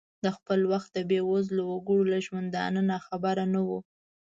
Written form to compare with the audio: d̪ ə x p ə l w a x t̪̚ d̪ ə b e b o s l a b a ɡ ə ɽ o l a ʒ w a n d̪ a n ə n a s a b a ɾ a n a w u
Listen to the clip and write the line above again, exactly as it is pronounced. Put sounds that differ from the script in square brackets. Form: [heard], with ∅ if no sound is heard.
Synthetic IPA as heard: d̪ ə x p ə l w a x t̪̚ d̪ ə b e [w] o [z] l a [w] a ɡ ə ɽ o l a ʒ w a n d̪ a n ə n a [x] a b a ɾ a n a w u